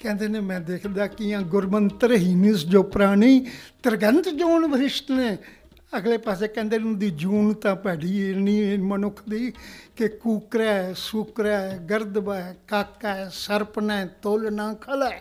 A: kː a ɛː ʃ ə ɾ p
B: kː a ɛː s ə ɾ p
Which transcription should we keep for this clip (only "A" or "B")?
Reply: B